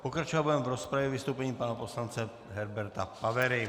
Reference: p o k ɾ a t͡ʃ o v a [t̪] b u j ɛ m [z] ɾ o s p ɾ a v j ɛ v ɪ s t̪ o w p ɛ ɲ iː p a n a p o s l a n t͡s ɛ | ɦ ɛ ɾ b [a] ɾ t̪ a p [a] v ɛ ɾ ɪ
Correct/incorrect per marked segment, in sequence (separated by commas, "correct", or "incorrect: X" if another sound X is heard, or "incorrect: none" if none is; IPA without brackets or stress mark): incorrect: none, incorrect: v, incorrect: ɛ, correct